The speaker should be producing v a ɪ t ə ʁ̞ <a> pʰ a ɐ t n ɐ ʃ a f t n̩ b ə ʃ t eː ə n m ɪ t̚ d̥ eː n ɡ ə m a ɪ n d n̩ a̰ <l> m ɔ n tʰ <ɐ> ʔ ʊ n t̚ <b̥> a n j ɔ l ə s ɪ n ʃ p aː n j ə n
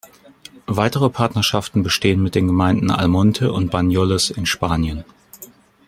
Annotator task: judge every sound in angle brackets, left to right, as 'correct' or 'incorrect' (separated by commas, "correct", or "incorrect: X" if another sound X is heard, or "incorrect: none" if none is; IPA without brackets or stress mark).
incorrect: ə, correct, incorrect: ə, correct